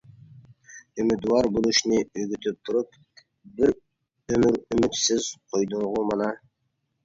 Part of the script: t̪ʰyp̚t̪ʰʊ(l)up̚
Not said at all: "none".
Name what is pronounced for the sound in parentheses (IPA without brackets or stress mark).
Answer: ɾ